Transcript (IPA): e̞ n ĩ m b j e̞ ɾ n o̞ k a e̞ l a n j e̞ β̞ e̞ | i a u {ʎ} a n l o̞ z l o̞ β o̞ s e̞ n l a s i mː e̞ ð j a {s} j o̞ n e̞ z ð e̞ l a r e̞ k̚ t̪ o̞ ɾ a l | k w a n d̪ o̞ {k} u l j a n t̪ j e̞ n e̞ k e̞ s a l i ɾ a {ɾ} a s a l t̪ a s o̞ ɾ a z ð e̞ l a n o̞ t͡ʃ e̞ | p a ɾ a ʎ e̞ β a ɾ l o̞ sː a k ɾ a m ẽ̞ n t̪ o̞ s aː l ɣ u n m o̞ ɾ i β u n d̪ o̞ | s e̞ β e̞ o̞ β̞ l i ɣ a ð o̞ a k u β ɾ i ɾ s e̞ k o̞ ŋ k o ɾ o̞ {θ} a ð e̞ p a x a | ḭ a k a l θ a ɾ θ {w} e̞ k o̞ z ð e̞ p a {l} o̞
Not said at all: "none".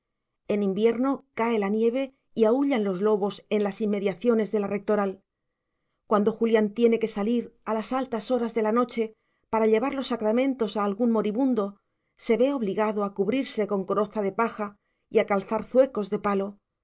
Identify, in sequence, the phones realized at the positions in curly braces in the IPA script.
ʎ, θ, x, l, θ, w, l

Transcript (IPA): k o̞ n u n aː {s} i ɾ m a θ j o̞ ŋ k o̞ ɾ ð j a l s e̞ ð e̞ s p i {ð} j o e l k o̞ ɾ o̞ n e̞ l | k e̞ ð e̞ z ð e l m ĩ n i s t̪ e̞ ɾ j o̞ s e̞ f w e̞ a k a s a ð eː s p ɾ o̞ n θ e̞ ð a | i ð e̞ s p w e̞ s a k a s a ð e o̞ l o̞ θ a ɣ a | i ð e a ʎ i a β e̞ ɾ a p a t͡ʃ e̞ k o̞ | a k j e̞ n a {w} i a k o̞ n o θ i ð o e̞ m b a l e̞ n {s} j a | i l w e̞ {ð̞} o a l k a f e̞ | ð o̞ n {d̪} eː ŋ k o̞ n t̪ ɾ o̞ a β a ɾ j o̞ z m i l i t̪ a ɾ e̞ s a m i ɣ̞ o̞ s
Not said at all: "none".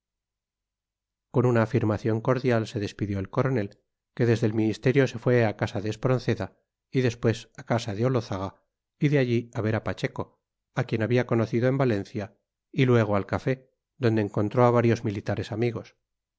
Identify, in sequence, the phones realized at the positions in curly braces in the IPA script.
f, ð, β, θ, ɣ̞, d̪

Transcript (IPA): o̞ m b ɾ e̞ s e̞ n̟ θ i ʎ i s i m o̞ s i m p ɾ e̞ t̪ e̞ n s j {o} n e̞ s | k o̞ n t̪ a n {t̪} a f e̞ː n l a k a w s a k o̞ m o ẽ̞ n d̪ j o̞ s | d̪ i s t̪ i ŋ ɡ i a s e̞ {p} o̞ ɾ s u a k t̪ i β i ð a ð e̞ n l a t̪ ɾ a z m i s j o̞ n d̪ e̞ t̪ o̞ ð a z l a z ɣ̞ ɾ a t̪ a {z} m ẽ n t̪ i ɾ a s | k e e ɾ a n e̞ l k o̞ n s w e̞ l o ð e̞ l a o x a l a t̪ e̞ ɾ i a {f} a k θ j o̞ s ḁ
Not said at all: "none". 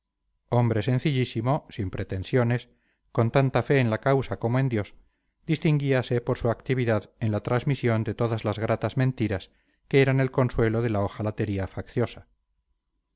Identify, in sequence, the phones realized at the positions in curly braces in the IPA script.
o, t̪, p, z, f

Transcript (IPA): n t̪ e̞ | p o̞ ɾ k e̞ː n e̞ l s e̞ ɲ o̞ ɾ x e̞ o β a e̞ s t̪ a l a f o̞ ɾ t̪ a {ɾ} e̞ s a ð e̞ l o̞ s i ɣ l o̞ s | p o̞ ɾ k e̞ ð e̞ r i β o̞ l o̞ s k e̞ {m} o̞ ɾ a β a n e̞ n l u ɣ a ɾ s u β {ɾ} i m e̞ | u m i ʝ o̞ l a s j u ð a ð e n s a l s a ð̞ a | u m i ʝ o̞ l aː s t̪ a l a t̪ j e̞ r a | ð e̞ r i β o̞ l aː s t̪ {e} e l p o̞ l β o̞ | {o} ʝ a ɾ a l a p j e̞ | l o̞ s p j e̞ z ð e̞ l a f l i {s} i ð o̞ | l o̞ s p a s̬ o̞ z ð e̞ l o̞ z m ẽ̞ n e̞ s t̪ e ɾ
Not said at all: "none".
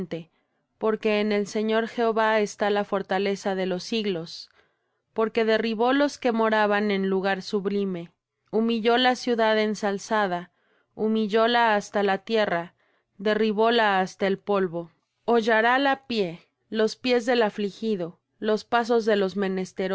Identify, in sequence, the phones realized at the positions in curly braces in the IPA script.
l, m, l, a, o, x

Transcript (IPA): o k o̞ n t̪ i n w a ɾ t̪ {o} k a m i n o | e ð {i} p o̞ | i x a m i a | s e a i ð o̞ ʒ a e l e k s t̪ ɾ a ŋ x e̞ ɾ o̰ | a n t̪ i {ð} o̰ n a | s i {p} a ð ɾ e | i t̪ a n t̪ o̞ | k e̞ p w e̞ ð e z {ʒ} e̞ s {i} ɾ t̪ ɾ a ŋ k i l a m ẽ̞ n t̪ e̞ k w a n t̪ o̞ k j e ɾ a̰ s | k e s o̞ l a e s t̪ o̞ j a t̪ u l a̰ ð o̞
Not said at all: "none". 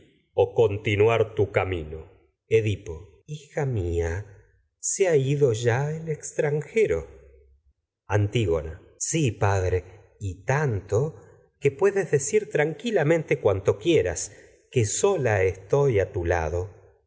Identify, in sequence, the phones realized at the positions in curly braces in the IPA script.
u, i, ɣ, p, ð, i

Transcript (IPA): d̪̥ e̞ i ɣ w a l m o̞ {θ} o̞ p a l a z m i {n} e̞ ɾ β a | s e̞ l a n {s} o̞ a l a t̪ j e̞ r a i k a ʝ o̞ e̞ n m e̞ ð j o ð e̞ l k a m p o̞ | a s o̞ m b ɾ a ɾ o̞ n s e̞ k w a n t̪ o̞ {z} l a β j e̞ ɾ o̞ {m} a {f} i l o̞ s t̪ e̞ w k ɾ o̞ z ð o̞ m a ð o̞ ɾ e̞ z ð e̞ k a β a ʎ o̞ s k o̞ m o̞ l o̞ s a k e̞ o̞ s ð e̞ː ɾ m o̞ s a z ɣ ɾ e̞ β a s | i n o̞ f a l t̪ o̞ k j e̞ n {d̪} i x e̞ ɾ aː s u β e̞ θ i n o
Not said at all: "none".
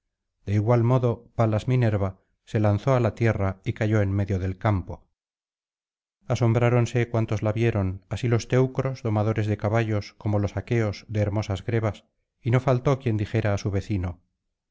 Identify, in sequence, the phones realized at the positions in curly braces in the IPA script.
ð, n, θ, z, n, s, d̪

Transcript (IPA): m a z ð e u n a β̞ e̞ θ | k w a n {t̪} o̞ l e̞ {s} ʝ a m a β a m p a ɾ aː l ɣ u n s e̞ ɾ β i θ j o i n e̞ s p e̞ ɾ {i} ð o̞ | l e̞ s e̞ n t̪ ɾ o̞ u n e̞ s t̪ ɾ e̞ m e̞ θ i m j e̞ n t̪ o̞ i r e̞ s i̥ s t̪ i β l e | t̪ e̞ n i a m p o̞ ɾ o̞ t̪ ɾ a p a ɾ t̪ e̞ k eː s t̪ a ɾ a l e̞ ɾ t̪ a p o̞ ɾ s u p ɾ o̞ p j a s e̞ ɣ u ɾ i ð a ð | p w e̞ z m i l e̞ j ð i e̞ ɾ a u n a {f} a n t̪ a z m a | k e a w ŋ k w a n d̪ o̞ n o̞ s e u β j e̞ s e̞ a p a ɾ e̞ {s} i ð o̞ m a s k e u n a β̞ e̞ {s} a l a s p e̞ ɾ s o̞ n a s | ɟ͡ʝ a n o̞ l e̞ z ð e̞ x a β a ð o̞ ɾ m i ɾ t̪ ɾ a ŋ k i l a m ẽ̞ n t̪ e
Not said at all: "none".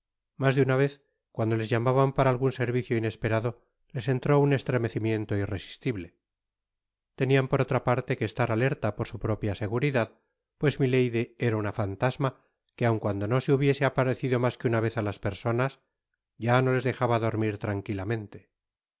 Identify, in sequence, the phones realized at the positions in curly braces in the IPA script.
d̪, z, a, f, θ, θ

